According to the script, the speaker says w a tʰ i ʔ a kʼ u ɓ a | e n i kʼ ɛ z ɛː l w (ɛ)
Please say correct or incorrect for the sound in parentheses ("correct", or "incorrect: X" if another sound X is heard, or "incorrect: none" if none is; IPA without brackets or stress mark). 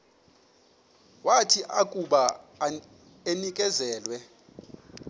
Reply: correct